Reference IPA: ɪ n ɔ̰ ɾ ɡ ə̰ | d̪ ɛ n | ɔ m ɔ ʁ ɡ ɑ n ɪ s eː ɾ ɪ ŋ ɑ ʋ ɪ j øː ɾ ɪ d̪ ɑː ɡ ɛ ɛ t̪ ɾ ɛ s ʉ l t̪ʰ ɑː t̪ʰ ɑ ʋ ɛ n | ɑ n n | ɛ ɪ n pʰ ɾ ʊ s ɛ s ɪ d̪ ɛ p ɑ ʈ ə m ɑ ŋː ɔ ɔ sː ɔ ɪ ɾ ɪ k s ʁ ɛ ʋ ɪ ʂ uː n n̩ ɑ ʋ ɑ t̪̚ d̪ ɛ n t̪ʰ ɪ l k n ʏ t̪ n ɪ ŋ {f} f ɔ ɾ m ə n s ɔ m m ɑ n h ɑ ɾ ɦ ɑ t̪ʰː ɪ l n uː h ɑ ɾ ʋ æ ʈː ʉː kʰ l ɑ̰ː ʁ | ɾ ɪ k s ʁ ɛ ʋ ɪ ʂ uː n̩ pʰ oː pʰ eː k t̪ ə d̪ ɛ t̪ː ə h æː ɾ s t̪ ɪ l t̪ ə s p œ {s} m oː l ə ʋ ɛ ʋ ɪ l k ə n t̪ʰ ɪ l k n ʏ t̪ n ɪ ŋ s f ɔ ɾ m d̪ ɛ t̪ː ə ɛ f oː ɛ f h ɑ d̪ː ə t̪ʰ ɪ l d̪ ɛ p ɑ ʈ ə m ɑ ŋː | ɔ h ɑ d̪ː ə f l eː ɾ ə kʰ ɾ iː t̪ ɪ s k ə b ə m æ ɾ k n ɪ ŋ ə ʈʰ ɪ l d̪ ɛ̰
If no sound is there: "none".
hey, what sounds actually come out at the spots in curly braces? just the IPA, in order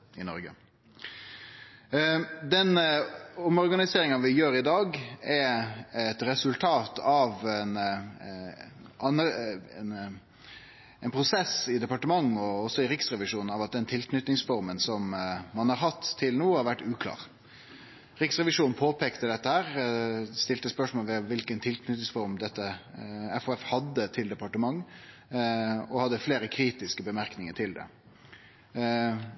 s, ʂ

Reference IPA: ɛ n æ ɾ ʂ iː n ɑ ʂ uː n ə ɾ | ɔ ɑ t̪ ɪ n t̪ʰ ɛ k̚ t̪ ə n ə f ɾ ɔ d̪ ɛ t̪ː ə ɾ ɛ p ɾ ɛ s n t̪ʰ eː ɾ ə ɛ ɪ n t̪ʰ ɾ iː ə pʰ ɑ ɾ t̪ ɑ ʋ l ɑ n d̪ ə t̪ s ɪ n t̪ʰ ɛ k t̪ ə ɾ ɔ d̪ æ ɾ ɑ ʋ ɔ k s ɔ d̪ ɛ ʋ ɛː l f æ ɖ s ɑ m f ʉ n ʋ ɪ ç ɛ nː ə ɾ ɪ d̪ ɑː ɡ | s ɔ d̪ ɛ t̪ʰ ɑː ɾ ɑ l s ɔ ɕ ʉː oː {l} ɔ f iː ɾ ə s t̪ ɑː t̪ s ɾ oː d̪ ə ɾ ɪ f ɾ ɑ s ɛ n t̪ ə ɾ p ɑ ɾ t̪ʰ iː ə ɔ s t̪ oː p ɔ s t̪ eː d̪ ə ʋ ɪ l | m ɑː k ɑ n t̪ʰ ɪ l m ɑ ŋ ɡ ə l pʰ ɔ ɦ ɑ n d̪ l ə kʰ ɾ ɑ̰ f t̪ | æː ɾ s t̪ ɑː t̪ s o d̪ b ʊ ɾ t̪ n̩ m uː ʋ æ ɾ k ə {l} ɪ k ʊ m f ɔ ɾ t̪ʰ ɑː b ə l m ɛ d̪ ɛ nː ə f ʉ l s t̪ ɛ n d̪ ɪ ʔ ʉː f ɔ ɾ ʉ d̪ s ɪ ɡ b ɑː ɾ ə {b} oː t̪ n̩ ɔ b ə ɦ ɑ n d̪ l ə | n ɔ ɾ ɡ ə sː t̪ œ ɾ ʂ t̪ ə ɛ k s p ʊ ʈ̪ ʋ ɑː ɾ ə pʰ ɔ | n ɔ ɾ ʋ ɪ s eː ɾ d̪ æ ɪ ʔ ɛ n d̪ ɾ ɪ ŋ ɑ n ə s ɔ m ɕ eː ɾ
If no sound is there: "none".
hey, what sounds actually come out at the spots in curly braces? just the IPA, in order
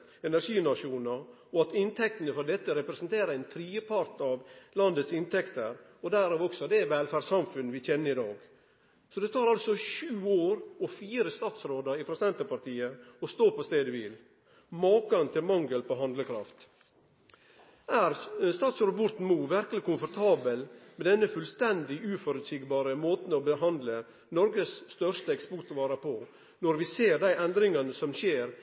ɾ, l, m

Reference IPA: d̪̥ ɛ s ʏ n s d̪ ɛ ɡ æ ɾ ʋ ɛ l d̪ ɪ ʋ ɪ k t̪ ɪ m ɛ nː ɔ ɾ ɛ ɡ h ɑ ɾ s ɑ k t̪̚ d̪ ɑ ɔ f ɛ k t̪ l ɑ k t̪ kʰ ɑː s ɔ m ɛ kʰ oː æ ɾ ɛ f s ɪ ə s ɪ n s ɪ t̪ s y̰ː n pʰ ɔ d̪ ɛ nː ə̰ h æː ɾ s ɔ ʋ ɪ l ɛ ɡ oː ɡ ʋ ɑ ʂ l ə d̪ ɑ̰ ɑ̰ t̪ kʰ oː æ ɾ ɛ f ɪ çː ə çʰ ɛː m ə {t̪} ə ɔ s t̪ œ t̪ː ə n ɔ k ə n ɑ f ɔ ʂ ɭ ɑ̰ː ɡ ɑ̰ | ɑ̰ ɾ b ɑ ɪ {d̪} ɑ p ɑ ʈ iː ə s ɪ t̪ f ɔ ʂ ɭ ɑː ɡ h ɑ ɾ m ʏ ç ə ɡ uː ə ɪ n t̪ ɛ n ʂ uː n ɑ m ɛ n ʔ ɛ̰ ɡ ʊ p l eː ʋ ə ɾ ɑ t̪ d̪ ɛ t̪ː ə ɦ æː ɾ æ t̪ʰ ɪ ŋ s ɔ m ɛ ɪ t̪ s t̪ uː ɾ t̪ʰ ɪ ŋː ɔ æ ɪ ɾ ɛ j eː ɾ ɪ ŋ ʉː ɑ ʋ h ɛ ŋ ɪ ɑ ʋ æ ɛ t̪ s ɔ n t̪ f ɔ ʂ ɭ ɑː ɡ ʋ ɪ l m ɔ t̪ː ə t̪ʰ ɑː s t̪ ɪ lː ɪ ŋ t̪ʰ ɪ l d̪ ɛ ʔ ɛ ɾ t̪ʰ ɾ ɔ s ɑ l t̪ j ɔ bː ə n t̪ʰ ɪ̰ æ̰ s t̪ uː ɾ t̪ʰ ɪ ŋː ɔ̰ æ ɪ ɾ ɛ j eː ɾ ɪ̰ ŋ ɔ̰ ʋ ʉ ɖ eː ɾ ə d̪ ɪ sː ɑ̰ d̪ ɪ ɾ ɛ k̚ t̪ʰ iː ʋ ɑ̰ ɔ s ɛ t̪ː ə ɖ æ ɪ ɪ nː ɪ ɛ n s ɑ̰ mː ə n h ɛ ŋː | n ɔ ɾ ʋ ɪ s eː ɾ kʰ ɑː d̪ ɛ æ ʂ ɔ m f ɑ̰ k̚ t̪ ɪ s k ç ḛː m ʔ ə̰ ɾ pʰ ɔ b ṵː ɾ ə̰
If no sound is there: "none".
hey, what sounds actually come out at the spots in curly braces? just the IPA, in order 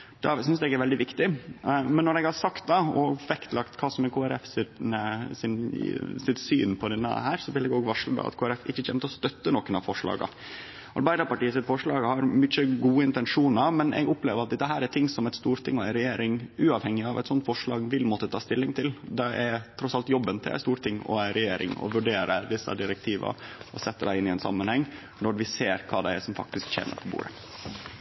t̪, d̪

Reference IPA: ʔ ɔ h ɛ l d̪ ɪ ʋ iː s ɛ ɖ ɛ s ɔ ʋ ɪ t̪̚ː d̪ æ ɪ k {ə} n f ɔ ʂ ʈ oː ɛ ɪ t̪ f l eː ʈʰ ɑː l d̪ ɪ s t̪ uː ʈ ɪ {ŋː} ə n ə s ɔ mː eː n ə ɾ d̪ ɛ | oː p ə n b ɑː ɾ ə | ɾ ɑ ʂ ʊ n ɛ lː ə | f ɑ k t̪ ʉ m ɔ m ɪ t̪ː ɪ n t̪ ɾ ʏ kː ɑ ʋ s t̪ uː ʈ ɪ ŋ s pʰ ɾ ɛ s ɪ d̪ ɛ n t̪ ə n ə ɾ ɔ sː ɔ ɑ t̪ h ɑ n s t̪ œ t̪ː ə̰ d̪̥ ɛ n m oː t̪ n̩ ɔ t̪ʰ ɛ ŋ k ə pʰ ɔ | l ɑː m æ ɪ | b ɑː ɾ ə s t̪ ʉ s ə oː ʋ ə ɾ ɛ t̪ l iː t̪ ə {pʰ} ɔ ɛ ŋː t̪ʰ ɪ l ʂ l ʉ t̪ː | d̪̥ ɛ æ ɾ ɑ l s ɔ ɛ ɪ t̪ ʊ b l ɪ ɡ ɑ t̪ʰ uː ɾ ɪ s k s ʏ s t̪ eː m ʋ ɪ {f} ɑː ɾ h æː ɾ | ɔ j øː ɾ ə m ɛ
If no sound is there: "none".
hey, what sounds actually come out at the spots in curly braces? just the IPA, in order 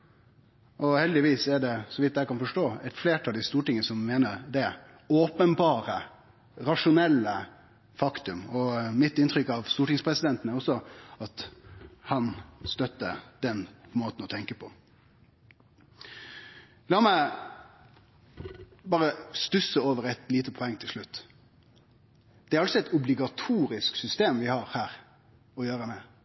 ɑ, ŋ, pʰ, h

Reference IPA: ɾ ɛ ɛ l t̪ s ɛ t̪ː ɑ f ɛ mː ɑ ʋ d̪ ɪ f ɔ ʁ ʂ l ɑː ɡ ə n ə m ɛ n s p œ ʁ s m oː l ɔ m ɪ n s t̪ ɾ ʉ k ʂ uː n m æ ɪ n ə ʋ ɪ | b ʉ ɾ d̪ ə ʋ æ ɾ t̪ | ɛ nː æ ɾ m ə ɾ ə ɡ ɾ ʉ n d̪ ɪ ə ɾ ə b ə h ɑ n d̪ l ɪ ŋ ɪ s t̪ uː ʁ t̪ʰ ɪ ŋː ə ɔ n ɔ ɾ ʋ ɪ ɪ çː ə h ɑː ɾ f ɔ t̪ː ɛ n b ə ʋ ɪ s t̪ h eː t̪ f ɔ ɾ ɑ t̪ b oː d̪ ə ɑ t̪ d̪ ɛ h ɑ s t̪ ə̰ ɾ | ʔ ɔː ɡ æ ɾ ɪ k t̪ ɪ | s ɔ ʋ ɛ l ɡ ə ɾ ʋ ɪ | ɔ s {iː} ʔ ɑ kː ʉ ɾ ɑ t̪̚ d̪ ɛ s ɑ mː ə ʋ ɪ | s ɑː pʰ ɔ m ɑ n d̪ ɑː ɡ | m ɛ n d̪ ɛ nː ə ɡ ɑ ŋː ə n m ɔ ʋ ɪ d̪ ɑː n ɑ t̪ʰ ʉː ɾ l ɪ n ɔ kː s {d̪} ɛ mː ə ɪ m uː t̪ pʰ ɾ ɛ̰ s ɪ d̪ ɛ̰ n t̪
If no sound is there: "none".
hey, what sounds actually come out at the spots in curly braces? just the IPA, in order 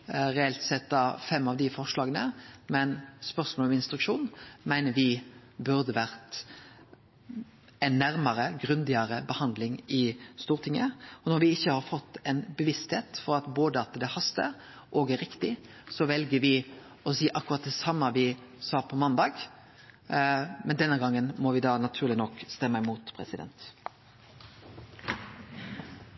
iː, t̪

